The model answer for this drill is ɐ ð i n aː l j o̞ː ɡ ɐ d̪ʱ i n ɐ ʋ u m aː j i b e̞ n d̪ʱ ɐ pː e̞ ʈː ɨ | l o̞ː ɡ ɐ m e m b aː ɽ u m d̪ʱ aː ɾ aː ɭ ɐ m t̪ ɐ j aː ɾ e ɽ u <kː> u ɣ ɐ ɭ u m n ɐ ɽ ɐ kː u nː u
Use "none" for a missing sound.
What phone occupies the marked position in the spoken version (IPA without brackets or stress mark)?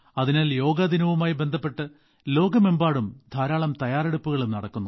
pː